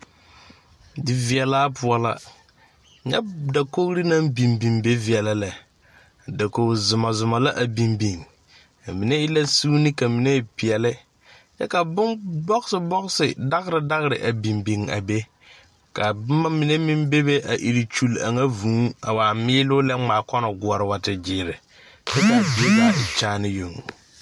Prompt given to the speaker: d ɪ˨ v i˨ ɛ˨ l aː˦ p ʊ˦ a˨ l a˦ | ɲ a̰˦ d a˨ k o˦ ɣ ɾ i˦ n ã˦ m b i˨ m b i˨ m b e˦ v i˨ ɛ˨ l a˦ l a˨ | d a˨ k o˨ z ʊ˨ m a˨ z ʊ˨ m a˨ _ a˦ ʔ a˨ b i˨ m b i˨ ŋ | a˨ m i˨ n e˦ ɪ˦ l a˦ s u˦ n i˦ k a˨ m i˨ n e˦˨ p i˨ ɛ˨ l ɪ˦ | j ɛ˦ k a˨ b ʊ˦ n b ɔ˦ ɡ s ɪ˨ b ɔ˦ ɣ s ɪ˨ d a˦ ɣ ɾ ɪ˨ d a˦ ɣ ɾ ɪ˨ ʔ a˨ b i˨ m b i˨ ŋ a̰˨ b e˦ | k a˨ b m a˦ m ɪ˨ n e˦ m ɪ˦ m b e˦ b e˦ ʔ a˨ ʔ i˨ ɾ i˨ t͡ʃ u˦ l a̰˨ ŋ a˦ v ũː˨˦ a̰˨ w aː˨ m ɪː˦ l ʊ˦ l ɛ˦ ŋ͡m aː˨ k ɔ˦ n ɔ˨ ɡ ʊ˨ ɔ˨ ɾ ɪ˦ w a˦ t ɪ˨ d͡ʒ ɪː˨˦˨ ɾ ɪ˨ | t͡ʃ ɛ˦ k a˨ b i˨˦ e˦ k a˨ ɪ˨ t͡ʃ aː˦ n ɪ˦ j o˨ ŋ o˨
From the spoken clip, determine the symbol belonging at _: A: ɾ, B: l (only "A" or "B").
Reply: B